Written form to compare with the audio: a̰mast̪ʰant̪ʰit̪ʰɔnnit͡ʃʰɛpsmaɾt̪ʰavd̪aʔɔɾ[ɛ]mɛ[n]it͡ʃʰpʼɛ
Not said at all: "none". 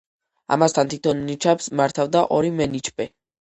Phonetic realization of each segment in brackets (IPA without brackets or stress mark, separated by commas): i, n